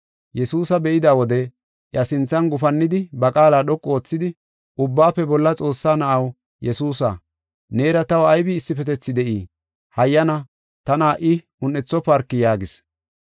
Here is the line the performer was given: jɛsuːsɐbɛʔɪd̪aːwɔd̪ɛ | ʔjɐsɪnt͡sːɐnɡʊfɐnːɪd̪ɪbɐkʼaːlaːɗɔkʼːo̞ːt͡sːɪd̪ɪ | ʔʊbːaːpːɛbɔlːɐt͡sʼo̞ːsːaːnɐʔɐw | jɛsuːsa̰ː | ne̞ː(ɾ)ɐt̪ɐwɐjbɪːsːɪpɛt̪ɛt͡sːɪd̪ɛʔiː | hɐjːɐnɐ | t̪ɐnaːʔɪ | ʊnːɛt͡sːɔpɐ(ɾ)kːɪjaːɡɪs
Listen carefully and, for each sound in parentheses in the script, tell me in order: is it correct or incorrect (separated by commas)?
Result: correct, correct